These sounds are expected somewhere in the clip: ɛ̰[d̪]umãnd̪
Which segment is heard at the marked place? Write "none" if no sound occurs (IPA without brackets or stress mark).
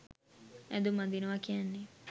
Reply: d̪